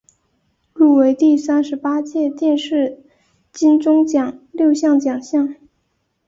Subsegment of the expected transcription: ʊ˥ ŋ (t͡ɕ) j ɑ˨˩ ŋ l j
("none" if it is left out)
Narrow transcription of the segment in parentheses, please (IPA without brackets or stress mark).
t͡ɕ